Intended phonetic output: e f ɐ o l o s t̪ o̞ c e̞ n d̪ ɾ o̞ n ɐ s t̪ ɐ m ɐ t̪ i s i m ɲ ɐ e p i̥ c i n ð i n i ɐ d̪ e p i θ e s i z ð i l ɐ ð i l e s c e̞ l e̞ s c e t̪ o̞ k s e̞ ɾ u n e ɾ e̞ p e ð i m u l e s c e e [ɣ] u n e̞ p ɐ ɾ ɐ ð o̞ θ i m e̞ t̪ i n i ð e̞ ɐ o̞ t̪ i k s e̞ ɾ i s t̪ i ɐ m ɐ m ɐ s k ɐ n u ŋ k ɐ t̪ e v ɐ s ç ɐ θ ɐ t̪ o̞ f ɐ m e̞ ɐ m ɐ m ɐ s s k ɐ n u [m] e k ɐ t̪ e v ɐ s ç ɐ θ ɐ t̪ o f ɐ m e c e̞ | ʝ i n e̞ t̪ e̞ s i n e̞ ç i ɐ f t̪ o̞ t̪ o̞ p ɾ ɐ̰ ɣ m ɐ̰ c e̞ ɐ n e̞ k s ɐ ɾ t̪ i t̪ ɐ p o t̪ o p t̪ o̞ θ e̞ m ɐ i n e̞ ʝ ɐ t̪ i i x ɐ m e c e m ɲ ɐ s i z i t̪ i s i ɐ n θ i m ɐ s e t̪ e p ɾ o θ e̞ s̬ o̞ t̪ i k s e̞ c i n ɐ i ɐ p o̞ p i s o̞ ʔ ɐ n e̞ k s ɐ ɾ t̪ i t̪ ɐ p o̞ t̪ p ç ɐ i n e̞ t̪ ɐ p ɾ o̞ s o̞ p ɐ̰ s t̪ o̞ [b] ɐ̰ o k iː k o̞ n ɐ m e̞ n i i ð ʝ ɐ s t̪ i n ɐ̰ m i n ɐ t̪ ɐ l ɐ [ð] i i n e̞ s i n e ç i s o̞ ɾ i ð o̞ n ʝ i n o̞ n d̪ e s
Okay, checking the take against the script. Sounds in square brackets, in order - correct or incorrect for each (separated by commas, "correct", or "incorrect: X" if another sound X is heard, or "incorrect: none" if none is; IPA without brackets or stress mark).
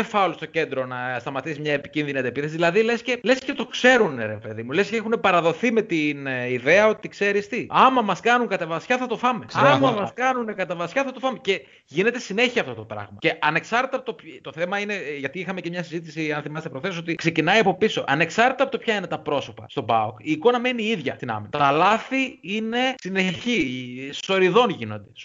incorrect: x, incorrect: n, correct, incorrect: θ